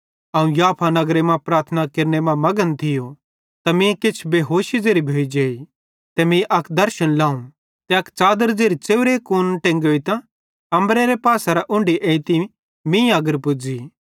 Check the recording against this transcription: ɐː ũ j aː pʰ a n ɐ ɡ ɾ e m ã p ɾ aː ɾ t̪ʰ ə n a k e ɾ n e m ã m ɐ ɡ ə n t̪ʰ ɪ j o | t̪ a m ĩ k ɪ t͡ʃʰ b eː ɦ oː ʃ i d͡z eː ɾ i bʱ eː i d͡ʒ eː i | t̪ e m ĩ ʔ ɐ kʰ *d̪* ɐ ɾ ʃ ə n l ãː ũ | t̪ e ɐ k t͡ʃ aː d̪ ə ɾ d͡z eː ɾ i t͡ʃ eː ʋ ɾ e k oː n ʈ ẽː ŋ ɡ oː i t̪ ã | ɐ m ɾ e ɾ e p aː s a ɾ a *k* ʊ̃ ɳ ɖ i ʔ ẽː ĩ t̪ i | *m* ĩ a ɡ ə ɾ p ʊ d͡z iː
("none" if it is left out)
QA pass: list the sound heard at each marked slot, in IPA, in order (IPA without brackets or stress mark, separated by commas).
d̪, ʔ, m